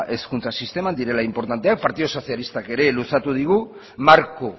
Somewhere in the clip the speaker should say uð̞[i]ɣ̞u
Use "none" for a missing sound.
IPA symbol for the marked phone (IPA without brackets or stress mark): i